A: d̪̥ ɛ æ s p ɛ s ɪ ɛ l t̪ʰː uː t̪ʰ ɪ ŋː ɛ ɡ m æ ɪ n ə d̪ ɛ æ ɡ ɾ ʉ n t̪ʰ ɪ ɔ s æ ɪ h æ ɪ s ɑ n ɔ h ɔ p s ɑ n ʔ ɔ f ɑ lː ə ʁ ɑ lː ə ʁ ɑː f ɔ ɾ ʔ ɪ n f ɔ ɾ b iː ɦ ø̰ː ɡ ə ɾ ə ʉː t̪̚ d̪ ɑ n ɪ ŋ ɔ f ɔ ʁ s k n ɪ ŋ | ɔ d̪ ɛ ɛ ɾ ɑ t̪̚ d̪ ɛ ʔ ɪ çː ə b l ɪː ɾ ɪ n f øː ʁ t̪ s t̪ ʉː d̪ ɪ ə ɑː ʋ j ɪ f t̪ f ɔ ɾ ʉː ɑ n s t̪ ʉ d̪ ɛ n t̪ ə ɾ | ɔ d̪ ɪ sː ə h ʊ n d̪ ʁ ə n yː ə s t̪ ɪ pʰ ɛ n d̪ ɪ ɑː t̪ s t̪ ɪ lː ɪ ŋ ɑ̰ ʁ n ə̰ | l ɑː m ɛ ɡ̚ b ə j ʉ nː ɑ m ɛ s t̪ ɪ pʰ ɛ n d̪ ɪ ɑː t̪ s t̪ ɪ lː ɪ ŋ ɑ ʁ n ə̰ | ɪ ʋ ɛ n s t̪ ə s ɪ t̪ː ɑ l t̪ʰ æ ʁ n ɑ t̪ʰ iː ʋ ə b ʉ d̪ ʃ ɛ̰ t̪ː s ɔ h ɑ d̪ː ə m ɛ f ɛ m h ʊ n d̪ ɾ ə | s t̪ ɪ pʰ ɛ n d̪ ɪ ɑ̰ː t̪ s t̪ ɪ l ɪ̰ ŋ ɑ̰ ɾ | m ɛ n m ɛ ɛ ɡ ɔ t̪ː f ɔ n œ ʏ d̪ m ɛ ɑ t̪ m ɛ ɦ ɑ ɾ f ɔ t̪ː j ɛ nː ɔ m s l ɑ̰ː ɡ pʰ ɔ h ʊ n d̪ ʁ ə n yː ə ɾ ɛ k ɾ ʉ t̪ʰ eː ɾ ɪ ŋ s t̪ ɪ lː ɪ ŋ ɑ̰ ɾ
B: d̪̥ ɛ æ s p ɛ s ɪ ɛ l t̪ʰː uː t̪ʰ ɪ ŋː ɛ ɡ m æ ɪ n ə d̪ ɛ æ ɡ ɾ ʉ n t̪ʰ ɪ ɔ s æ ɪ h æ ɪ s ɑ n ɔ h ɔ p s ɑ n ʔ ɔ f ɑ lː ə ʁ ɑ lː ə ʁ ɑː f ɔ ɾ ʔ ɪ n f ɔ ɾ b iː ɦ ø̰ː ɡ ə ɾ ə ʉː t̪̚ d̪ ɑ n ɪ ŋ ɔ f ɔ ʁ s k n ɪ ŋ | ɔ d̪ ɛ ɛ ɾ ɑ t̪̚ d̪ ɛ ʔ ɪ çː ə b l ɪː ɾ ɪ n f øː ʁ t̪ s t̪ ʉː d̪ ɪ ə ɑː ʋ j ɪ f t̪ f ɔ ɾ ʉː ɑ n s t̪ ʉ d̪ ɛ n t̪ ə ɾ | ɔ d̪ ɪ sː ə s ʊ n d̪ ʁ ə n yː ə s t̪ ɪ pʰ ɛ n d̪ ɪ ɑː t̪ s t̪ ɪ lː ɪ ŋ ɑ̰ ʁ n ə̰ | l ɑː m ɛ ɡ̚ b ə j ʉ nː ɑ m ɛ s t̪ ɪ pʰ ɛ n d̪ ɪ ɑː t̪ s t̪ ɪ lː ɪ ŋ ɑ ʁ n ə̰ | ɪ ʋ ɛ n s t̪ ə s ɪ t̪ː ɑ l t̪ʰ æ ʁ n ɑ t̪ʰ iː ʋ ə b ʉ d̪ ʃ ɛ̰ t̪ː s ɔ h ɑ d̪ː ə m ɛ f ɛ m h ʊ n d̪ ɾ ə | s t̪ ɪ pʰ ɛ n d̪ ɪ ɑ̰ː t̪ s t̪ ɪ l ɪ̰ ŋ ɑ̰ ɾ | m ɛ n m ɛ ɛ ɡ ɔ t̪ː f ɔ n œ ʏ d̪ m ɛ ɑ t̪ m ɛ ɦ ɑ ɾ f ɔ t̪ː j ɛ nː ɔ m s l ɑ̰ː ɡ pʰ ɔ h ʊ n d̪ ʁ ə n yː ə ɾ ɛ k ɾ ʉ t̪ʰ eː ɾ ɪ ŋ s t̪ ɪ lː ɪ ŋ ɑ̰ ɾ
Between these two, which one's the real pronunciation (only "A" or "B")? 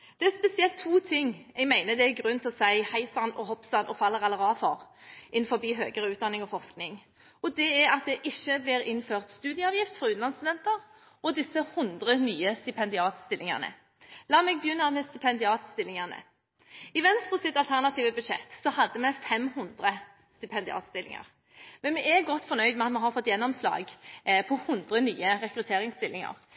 A